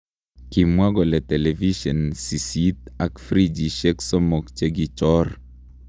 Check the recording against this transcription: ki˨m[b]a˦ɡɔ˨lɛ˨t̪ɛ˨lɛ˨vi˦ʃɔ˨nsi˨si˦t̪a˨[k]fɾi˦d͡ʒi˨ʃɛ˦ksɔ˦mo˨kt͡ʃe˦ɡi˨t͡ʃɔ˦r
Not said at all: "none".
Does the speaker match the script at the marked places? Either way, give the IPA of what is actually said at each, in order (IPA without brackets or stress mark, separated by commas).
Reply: w, k